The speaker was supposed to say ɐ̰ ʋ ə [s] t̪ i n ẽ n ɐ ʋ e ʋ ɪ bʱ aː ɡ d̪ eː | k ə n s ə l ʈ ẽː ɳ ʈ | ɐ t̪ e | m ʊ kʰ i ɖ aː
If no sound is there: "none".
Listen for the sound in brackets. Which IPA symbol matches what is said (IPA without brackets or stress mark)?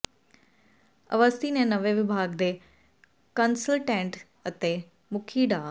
s